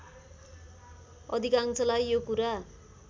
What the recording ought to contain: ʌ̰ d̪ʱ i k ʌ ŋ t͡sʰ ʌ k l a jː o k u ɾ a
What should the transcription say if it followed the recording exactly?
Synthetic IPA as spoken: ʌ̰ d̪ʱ i k a ŋ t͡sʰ ʌ l a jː o k u ɾ a

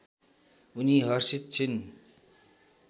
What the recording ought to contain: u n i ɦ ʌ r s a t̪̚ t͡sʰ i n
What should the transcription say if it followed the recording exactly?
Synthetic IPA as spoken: u n i ɦ ʌ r s i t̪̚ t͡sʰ i n

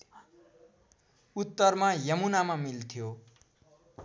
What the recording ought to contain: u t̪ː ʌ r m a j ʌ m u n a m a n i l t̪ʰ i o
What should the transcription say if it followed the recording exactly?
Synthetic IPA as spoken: u t̪ː ʌ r m a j ʌ m u n a m a m i l t̪ʰ j o

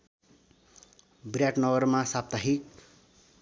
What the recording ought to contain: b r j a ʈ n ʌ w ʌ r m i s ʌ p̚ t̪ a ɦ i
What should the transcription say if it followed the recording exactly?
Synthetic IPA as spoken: b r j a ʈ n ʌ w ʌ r m a s a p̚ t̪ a ɦ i

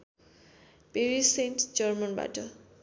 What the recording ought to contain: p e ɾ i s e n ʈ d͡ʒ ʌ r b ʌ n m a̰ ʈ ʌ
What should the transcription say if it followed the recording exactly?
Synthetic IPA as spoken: p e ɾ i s e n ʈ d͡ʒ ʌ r m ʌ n b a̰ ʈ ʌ

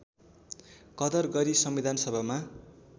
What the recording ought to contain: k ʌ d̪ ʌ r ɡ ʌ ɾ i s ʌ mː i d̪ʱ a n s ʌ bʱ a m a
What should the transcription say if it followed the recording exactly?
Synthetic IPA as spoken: k ʌ d̪ ʌ r ɡ ʌ ɾ i s ʌ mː i d̪ʱ a n s ʌ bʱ a m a

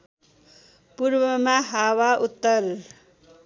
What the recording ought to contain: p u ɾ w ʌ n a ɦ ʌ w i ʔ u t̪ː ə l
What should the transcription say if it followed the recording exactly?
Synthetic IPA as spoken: p u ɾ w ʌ m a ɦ a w a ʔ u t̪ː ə l

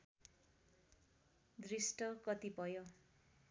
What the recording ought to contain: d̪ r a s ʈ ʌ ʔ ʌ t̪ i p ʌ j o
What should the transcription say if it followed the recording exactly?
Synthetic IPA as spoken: d̪ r i s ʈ ʌ k ʌ t̪ i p ʌ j o

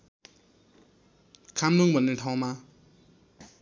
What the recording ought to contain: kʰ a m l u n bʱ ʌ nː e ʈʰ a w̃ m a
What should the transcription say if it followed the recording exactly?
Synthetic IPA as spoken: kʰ a m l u ŋ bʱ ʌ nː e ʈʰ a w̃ m a

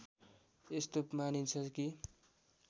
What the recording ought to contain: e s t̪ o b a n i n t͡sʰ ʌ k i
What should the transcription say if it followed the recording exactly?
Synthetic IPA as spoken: e s t̪ o m a n i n t͡sʰ ʌ k i

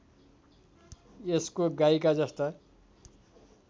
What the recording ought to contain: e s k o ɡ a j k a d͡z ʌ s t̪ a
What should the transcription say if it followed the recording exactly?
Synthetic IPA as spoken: e s k o ɡ a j k a d͡z ʌ s t̪ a

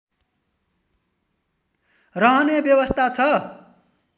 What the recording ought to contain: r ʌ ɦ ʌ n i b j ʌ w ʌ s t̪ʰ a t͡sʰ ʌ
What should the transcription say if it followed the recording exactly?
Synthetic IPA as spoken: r ʌ ɦ ʌ n e b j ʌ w ʌ s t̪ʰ a t͡sʰ ʌ

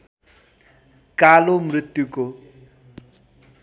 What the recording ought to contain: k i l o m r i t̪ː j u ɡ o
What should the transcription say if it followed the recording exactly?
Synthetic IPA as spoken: k a l o m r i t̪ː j u k o

